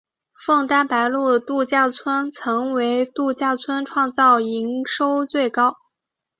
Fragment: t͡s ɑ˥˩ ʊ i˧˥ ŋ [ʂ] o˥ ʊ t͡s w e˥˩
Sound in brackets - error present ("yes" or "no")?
no